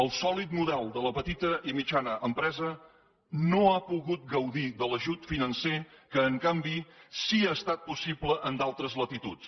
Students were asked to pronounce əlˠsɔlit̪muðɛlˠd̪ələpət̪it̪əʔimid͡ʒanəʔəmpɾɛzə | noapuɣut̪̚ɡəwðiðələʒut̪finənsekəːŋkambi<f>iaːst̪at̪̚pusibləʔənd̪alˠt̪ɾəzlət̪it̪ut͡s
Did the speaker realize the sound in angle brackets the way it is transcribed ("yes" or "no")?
no